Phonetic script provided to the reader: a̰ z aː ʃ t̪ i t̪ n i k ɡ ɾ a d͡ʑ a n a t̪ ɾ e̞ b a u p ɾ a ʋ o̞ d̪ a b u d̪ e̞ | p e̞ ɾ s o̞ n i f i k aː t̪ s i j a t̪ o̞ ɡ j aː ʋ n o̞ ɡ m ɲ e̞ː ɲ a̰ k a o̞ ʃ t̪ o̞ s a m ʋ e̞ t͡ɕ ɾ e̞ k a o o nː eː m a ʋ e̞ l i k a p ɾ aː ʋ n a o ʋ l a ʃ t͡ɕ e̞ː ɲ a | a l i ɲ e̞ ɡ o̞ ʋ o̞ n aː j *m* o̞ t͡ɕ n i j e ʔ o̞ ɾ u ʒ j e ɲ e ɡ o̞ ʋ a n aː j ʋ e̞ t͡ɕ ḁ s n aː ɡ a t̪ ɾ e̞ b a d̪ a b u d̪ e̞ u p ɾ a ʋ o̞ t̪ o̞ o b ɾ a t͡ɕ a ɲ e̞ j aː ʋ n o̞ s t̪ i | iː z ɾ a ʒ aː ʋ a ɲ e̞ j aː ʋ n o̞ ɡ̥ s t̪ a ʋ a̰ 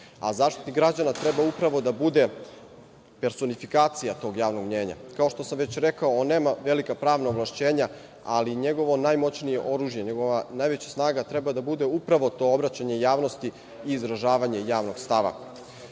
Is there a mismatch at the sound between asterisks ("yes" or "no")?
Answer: no